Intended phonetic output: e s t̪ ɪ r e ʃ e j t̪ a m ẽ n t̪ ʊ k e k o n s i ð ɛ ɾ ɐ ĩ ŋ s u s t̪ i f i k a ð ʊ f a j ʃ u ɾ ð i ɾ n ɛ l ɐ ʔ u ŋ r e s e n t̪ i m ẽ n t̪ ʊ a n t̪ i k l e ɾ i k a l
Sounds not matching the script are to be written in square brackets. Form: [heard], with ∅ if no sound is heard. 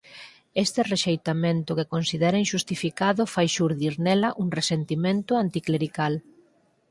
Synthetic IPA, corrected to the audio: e s t̪ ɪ r e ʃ e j t̪ a m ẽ n t̪ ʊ k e k o n s i ð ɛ ɾ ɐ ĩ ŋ [ʃ] u s t̪ i f i k a ð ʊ f a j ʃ u ɾ ð i ɾ n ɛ l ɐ ʔ u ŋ r e s e n t̪ i m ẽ n t̪ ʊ a n t̪ i k l e ɾ i k a l